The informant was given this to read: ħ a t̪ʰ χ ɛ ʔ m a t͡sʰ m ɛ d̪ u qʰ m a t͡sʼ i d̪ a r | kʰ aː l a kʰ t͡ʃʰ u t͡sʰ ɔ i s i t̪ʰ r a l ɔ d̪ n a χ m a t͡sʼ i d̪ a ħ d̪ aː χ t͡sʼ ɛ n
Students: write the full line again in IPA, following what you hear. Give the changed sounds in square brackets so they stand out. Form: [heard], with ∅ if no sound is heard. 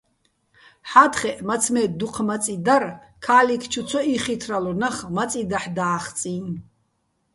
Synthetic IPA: ħ a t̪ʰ χ ɛ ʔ m a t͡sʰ m ɛ d̪ u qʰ m a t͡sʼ i d̪ a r | kʰ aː l [i] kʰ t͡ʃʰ u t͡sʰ ɔ i [χ] i t̪ʰ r a l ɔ [∅] n a χ m a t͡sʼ i d̪ a ħ d̪ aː χ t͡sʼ [i] n